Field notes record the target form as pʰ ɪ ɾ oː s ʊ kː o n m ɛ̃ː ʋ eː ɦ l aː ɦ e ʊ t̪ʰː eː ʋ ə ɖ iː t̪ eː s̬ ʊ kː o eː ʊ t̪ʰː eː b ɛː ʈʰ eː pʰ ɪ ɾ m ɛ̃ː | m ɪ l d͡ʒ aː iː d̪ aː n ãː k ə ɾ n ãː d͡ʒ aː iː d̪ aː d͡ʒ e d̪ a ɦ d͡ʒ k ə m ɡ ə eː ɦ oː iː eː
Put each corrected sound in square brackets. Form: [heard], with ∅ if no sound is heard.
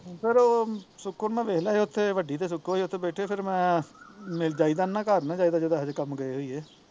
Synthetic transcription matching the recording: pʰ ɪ ɾ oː s ʊ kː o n m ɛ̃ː ʋ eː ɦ l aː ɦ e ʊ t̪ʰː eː ʋ ə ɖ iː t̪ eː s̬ ʊ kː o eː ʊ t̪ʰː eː b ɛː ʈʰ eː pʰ ɪ ɾ m ɛ̃ː | m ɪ l d͡ʒ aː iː d̪ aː n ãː k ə ɾ n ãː d͡ʒ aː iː d̪ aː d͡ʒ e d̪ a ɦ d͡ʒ k ə m ɡ ə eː ɦ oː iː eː